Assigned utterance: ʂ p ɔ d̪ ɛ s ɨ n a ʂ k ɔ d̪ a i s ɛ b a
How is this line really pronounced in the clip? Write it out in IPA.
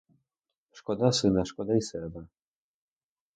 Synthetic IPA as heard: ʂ k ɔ d̪ a s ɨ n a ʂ k ɔ d̪ a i s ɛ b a